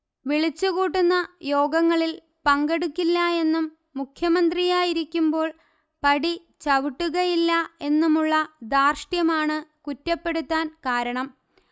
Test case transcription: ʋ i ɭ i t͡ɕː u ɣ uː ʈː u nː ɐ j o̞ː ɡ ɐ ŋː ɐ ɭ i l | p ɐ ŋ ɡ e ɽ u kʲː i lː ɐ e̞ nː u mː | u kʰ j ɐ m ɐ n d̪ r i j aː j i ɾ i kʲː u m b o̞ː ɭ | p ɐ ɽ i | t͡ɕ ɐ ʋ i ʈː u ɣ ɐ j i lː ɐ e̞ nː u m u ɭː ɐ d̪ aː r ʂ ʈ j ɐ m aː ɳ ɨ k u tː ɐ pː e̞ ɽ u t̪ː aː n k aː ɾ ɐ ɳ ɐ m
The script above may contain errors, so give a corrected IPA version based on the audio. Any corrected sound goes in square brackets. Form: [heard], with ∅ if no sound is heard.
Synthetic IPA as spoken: ʋ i ɭ i t͡ɕː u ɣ uː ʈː u nː ɐ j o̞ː ɡ ɐ ŋː ɐ ɭ i l | p ɐ ŋ ɡ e ɽ u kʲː i lː ɐ e̞ nː u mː | u kʰ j ɐ m ɐ n d̪ r i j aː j i ɾ i kʲː u m b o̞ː ɭ | p ɐ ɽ i | t͡ɕ ɐ ʋ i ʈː u ɣ ɐ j i lː ɐ e̞ nː u m u ɭː ɐ d̪ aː r ʂ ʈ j ɐ m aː ɳ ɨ k u tː ɐ pː e̞ ɽ u t̪ː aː n k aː ɾ ɐ ɳ ɐ m